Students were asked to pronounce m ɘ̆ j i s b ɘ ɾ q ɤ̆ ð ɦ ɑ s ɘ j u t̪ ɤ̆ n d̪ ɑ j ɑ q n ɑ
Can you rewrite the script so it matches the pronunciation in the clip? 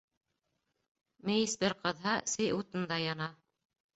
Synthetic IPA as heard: m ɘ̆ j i s b ɘ ɾ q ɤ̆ ð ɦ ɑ s ɘ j u t̪ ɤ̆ n d̪ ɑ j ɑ n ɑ